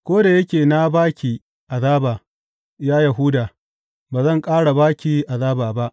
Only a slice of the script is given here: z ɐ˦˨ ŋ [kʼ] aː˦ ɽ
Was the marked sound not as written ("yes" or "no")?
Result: no